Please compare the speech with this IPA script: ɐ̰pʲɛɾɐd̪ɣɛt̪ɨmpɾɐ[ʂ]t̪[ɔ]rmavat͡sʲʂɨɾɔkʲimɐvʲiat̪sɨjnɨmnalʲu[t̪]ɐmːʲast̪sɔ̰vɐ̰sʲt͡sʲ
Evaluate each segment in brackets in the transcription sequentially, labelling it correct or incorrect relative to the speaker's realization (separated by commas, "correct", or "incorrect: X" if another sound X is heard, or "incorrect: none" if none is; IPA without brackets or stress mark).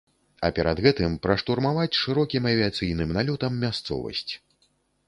correct, incorrect: u, correct